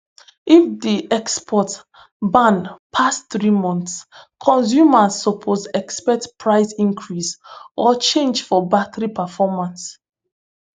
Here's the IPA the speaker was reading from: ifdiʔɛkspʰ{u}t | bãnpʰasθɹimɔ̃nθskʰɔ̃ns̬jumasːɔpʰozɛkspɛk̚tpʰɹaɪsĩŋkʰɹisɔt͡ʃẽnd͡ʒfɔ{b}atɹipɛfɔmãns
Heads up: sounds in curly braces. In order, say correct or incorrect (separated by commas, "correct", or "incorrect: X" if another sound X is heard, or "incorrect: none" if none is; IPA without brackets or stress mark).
incorrect: ɔ, correct